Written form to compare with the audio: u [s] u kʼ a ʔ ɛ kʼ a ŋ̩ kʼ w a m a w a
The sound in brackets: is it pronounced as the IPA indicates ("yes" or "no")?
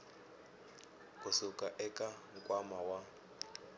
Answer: yes